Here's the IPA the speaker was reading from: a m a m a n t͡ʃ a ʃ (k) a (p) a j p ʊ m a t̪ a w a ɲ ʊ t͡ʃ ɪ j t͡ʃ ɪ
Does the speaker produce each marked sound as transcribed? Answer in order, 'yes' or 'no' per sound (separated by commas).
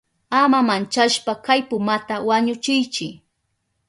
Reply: no, no